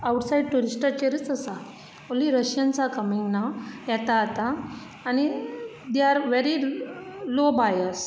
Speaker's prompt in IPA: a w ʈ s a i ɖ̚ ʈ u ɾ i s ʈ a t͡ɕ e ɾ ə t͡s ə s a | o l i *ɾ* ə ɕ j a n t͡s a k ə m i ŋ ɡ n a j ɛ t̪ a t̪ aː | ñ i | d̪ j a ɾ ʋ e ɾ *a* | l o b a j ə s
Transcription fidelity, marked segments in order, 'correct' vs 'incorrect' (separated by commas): correct, incorrect